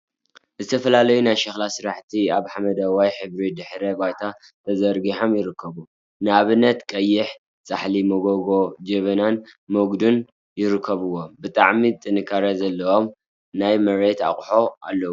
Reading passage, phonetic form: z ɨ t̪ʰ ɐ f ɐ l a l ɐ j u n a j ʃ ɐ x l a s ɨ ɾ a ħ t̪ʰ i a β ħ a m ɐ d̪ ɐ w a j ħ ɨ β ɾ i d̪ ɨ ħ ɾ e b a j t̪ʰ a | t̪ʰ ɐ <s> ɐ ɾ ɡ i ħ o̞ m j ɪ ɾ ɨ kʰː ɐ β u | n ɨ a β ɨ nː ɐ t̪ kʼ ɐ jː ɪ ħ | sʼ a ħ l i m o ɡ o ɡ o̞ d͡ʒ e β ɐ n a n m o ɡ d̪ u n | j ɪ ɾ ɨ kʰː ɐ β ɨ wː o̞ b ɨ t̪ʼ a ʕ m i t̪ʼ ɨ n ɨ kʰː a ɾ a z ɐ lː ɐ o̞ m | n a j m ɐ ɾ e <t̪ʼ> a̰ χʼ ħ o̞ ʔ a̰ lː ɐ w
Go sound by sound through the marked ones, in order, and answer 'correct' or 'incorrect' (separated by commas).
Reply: incorrect, incorrect